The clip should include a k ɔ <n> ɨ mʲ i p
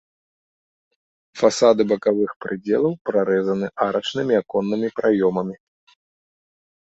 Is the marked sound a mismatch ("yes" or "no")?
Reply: yes